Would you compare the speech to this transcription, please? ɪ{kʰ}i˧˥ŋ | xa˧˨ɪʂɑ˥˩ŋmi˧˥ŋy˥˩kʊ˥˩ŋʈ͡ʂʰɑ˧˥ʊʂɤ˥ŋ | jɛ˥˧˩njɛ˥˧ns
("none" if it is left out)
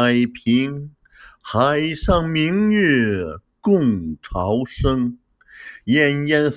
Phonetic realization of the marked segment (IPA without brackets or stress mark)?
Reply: pʰ